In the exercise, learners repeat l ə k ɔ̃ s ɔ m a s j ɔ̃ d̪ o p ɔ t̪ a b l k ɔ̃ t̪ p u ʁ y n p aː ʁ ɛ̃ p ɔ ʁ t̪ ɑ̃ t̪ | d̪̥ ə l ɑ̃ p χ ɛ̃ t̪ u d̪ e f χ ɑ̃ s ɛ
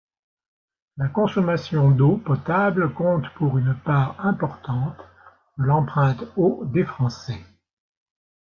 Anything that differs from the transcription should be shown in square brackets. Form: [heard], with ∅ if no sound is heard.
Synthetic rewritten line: l [a] k ɔ̃ s ɔ m a s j ɔ̃ d̪ o p ɔ t̪ a b l k ɔ̃ t̪ p u ʁ y n p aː ʁ ɛ̃ p ɔ ʁ t̪ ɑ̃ t̪ | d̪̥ ə l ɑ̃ p χ ɛ̃ t̪ [o] d̪ e f χ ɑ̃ s ɛ